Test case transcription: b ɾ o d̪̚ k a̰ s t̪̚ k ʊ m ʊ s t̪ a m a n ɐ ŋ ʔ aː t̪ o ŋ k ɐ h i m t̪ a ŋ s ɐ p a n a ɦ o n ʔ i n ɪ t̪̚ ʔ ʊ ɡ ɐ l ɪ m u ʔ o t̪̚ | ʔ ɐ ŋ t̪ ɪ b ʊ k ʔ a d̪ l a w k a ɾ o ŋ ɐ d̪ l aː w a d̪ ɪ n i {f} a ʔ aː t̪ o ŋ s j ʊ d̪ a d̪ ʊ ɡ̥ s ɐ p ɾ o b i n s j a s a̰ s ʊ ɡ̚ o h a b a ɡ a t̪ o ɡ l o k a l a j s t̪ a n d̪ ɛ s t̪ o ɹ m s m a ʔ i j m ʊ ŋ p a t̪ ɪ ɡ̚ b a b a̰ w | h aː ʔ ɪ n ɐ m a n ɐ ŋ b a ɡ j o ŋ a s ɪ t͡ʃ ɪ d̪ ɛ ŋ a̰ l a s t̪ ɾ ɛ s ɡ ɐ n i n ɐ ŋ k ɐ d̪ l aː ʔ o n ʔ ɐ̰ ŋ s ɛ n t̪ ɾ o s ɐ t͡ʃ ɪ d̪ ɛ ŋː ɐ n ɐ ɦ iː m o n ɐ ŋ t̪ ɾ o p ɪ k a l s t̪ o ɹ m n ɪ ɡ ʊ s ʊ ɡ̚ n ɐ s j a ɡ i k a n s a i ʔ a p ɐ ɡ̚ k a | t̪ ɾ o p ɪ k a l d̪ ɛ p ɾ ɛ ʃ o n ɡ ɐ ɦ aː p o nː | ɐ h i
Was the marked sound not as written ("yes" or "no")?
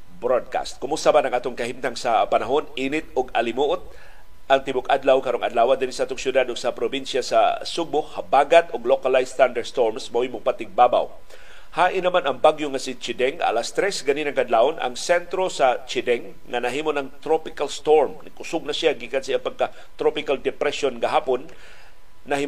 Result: yes